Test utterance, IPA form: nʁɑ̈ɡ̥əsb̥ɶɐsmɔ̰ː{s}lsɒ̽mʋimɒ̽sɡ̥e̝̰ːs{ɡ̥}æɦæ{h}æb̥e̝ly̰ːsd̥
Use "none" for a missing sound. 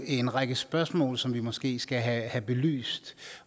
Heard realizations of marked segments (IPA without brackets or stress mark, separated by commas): none, ɡ̥, h